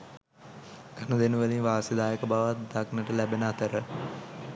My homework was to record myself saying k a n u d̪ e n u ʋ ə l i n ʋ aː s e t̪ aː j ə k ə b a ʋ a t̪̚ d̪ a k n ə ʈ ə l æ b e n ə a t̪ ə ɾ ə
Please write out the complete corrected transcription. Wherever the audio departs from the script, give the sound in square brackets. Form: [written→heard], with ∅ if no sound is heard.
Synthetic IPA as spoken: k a n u d̪ e n u ʋ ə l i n ʋ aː s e [t̪→d̪] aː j ə k ə b a ʋ a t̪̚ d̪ a k n ə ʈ ə l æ b e n ə a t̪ ə ɾ ə